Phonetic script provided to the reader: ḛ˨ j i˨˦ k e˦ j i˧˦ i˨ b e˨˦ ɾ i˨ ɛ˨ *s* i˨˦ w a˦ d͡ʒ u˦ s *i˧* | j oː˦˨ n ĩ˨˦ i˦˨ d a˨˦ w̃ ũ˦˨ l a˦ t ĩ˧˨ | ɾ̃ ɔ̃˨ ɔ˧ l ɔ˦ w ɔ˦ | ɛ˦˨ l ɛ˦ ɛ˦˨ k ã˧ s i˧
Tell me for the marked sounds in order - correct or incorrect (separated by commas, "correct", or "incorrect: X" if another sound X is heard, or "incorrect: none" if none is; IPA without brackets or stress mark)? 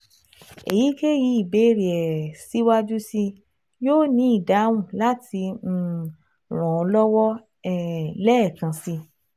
correct, correct